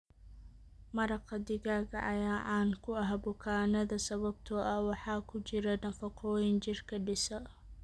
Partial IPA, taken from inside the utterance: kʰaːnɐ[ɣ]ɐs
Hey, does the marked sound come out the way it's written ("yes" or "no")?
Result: no